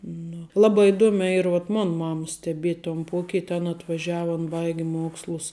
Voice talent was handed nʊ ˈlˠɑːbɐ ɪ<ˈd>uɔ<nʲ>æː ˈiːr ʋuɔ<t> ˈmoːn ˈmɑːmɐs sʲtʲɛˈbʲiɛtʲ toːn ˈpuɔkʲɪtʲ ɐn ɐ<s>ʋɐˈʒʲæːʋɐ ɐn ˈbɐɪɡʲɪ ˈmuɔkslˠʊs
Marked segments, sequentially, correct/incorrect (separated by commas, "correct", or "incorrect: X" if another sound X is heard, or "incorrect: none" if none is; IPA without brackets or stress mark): correct, incorrect: mʲ, correct, incorrect: t